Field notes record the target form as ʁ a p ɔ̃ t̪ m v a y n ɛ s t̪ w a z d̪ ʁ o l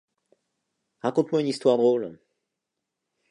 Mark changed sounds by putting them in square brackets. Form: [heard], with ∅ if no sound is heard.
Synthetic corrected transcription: ʁ a [k] ɔ̃ t̪ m [w] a y n [i] s t̪ w a [ʁ] d̪ ʁ o l